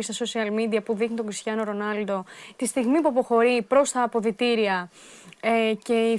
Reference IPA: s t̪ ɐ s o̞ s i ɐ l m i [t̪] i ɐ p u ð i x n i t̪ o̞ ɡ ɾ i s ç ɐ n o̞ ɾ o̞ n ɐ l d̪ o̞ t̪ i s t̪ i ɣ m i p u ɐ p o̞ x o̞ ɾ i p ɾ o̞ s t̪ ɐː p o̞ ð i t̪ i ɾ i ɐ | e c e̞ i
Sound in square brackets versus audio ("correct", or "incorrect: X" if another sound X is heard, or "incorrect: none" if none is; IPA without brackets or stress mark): incorrect: d̪